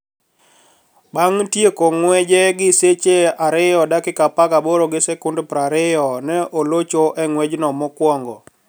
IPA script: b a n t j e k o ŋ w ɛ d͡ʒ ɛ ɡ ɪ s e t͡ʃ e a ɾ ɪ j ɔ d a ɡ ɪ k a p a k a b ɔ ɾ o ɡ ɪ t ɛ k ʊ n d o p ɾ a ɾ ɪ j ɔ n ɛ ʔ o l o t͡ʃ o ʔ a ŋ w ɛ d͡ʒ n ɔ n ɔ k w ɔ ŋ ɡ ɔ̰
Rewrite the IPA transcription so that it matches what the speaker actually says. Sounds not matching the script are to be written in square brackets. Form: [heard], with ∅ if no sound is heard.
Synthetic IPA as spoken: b a [ŋ] t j e k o ŋ w ɛ d͡ʒ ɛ ɡ ɪ s e t͡ʃ e a ɾ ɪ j ɔ d a [k] ɪ k a p a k a b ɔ ɾ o ɡ ɪ [s] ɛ k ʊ n d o p ɾ a ɾ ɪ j ɔ n ɛ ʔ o l o t͡ʃ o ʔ [ɛ] ŋ w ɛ d͡ʒ n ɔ [m] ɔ k w ɔ ŋ ɡ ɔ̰

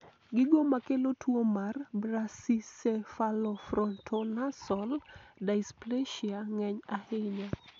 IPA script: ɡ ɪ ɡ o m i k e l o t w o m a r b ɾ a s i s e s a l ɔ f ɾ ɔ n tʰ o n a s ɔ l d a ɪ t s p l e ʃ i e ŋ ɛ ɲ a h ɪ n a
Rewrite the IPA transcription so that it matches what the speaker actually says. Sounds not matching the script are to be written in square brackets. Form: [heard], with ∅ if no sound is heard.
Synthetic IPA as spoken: ɡ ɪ ɡ o m [a] k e l o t w o m a r b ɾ a s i s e [f] a l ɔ f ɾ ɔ n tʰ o n a s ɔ l d a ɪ [∅] s p l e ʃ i [a] ŋ ɛ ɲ a h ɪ [ɲ] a

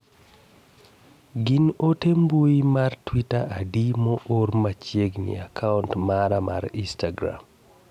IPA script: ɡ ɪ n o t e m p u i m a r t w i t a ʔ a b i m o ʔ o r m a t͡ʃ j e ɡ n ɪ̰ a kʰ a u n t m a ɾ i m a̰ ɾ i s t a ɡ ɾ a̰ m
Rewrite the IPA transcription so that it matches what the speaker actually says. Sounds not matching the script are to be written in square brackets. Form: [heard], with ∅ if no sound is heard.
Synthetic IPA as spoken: ɡ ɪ n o t e m [b] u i m a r t w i t a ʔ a [d] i m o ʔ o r m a t͡ʃ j e ɡ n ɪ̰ a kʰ a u n t m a ɾ [a] m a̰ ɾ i s t a ɡ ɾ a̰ m

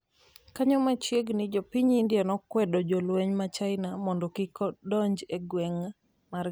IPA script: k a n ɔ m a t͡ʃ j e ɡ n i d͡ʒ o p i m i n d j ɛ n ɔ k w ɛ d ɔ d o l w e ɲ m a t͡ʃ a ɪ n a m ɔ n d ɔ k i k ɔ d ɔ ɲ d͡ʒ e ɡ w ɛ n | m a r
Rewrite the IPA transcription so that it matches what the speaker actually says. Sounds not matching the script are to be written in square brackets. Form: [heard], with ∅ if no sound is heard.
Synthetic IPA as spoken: k a [ɲ] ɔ m a t͡ʃ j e ɡ n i d͡ʒ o p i [ɲ] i n d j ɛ n ɔ k w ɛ d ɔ [d͡ʒ] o l w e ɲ m a t͡ʃ a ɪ n a m ɔ n d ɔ k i k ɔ d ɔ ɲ d͡ʒ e ɡ w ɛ [ŋ] | m a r

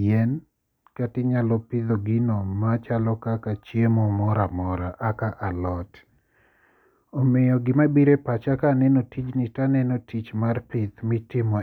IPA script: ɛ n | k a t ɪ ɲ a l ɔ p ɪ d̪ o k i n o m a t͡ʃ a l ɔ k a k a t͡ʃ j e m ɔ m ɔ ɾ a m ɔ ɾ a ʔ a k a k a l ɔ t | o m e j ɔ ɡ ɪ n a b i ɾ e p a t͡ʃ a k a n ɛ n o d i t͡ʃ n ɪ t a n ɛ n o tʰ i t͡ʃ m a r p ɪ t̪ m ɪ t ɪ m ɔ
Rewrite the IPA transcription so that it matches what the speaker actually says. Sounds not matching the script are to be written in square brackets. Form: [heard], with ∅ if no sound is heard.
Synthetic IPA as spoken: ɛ n | k a t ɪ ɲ a l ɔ p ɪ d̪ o [ɡ] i n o m a t͡ʃ a l ɔ k a k a t͡ʃ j e m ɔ m ɔ ɾ a m ɔ ɾ a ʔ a k a [ʔ] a l ɔ t | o m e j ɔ ɡ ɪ [m] a b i ɾ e p a t͡ʃ a k a n ɛ n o [t] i t͡ʃ n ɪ t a n ɛ n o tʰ i t͡ʃ m a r p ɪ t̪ m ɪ t ɪ m ɔ

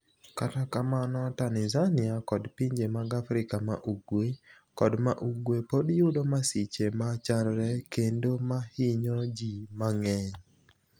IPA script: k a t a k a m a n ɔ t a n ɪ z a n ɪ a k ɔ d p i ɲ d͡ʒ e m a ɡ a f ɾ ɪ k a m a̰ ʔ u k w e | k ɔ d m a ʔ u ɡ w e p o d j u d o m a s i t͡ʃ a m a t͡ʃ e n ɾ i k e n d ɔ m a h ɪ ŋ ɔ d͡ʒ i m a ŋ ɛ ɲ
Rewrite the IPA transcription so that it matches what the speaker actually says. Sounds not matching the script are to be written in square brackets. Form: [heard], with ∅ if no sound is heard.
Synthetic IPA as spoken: k a t a k a m a n ɔ t a n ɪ z a n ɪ a k ɔ d p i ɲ d͡ʒ e m a ɡ a f ɾ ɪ k a m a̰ ʔ u [ɡ] w e | k ɔ d m a ʔ u ɡ w e p o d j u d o m a s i t͡ʃ [e] m a t͡ʃ [a] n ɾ [ɛ] k e n d [o] m a h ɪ [ɲ] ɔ d͡ʒ i m a ŋ ɛ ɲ

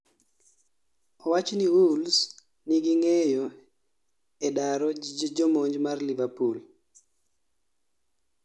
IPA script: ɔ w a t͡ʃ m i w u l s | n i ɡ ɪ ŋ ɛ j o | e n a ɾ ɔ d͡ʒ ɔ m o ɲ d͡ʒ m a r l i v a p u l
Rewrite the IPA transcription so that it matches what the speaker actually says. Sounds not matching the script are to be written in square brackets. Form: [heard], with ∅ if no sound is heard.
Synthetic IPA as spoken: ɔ w a t͡ʃ [n] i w u l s | n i ɡ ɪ ŋ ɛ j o | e [d] a ɾ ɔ d͡ʒ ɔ m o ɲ d͡ʒ m a r l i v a p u l

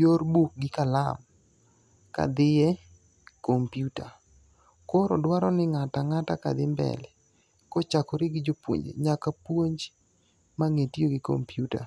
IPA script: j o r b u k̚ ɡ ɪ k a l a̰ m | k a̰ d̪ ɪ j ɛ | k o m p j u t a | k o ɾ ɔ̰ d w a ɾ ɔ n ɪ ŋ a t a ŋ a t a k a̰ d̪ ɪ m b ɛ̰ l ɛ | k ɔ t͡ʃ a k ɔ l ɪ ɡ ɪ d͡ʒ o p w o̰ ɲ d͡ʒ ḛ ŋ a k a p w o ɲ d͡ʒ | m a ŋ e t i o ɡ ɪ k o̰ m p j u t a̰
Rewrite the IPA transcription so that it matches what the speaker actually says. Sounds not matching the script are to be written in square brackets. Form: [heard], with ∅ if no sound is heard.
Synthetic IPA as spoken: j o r b u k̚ ɡ ɪ k a l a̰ m | k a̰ d̪ ɪ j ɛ | k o m p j u t a | k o ɾ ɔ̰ d w a ɾ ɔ n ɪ ŋ a t a ŋ a t a k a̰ d̪ ɪ m b ɛ̰ l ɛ | k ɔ t͡ʃ a k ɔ [ɾ] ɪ ɡ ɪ d͡ʒ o p w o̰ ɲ d͡ʒ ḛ [ɲ] a k a p w o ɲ d͡ʒ | m a ŋ e t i o ɡ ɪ k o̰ m p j u t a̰

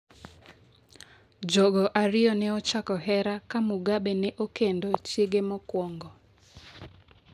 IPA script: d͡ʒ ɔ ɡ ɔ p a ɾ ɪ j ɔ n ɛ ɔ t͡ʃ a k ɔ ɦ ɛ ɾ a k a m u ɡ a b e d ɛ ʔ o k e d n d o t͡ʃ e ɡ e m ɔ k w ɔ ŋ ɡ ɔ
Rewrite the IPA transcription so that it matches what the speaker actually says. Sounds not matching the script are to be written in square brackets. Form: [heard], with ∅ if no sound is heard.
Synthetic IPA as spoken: d͡ʒ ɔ ɡ ɔ [ʔ] a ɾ ɪ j ɔ n ɛ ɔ t͡ʃ a k ɔ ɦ ɛ ɾ a k a m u ɡ a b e [n] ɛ ʔ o k e [∅] n d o t͡ʃ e ɡ e m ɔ k w ɔ ŋ ɡ ɔ

